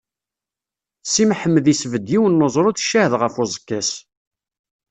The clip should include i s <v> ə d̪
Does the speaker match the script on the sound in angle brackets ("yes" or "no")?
yes